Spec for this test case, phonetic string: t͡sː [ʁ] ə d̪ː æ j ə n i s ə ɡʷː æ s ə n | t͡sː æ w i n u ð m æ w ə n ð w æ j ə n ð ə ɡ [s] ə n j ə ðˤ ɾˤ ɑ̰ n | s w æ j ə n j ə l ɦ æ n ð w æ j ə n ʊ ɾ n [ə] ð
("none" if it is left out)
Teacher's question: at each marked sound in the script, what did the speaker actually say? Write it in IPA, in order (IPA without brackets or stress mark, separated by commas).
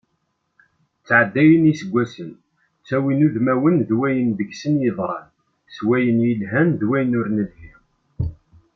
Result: ʕ, s, ə